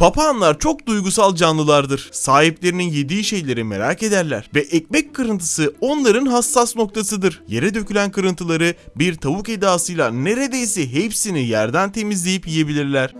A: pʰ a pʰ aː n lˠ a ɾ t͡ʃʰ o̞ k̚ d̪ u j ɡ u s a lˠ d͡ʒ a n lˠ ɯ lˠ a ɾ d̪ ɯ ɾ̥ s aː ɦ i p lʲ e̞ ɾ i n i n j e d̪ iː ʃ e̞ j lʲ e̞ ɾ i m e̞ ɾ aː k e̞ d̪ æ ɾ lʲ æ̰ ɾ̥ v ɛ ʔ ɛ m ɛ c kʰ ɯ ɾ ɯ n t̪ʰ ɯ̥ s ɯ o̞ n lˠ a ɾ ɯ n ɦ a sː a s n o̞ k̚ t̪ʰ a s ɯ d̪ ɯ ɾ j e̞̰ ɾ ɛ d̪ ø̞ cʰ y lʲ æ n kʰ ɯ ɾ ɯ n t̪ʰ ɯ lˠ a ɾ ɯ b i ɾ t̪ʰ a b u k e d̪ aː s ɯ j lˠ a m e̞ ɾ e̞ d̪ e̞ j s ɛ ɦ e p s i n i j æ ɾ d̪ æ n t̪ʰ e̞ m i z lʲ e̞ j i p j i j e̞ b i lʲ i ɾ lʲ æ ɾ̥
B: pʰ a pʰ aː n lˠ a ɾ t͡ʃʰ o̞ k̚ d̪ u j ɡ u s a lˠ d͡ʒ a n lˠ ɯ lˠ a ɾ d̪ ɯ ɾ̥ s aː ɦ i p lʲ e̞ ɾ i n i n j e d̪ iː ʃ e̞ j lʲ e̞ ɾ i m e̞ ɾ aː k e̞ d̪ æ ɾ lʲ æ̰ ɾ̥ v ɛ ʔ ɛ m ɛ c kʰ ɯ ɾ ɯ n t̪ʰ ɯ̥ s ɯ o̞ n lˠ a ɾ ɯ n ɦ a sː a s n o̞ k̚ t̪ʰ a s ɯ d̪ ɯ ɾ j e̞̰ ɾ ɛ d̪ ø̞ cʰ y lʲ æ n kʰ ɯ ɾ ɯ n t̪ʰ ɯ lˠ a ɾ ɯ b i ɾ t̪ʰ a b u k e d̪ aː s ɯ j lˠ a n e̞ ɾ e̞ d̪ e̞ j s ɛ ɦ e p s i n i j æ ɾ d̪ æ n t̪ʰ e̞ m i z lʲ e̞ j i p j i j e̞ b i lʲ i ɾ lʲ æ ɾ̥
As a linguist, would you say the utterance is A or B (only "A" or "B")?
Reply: B